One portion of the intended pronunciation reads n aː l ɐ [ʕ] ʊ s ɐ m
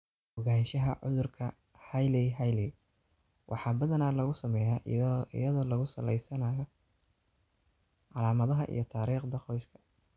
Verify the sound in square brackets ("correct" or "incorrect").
incorrect